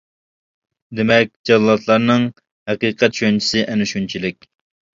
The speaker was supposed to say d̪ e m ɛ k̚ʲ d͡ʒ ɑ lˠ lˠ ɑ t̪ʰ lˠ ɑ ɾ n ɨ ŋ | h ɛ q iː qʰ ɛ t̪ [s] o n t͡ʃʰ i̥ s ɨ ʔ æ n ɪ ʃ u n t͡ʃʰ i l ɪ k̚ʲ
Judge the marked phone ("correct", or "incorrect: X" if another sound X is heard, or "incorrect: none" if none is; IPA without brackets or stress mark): incorrect: ʃ